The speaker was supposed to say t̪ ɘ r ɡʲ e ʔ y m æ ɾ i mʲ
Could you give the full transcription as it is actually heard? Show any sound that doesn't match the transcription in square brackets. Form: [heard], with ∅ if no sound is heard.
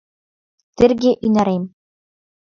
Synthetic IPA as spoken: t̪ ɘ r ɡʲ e ʔ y [n] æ ɾ [e] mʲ